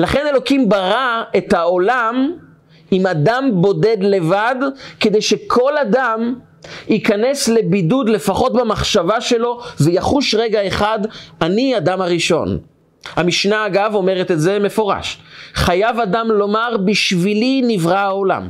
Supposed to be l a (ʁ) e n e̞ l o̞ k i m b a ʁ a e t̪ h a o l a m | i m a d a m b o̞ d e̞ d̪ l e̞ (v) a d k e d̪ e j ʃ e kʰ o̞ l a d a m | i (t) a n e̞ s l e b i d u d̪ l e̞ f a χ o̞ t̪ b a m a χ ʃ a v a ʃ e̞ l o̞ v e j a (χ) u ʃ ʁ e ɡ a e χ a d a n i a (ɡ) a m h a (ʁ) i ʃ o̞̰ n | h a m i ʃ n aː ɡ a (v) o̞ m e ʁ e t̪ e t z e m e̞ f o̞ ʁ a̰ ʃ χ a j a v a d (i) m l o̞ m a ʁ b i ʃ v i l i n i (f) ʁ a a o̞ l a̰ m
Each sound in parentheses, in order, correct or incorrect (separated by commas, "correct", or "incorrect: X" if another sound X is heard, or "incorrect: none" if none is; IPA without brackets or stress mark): incorrect: χ, correct, incorrect: k, correct, incorrect: d, correct, correct, incorrect: a, incorrect: v